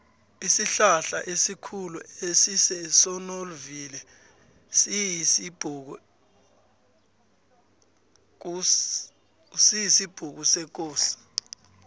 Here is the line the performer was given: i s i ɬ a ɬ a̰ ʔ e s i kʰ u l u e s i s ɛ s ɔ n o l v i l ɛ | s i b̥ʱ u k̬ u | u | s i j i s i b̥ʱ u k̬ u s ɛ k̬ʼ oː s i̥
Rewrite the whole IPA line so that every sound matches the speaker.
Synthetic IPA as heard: i s i ɬ a ɬ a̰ ʔ e s i kʰ u l u e s i s ɛ s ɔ n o l v i l ɛ | s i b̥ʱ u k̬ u | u | s i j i s i b̥ʱ u k̬ u s ɛ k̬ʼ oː s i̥